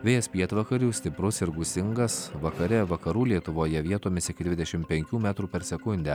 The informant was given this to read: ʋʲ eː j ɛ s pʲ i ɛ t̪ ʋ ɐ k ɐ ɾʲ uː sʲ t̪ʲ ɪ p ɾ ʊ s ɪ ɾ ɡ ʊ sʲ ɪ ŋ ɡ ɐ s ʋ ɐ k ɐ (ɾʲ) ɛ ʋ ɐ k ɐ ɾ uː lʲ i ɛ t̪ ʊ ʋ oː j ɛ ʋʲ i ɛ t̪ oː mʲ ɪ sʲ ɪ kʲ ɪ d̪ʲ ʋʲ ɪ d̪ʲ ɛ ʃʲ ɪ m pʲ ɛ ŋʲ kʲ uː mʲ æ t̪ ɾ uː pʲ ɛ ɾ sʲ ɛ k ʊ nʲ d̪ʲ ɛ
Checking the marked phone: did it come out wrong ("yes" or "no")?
no